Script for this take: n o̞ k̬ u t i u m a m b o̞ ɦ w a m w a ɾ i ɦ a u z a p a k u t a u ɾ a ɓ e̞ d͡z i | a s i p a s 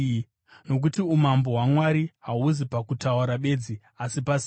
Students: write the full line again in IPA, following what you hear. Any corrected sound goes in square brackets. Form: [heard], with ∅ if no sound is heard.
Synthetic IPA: n o̞ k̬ u t i u m a m b o̞ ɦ w a m w a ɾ i ɦ a u z [i] p a k u t a u ɾ a ɓ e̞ d͡z i | a s i p a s